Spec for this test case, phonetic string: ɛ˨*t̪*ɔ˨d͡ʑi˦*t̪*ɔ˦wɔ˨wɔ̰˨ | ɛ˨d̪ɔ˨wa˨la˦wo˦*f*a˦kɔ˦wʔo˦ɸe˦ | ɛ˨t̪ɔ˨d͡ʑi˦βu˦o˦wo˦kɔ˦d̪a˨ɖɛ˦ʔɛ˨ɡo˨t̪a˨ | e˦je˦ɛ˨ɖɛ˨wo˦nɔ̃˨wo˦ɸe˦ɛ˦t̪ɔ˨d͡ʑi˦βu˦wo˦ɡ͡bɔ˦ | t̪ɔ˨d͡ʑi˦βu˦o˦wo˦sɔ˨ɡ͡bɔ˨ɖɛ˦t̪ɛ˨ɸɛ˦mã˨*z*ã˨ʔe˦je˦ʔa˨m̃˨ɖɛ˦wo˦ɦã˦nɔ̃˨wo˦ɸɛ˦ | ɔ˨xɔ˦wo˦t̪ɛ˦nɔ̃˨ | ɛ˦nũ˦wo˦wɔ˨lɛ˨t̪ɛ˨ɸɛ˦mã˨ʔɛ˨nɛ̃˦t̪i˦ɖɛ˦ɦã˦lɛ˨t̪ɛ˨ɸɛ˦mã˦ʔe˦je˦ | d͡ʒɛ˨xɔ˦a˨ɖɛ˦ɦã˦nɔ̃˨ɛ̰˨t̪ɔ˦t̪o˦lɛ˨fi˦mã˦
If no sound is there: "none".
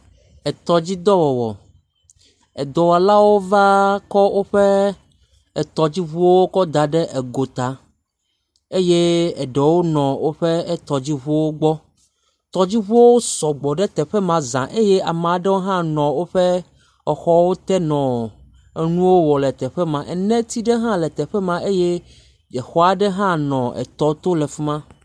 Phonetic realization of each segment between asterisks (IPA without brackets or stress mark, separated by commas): t̪, d̪, v, z